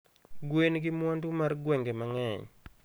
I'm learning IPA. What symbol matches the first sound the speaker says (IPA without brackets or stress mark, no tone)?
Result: ɡ